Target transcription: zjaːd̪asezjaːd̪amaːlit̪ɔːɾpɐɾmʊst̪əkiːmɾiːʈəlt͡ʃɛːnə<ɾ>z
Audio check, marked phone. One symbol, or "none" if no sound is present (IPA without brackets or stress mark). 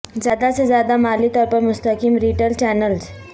l